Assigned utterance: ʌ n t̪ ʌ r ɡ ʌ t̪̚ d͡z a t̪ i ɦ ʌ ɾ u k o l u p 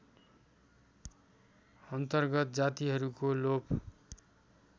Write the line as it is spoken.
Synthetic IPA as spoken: ʌ n t̪ ʌ r ɡ ʌ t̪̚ d͡z a t̪ i ɦ ʌ ɾ u k o l o p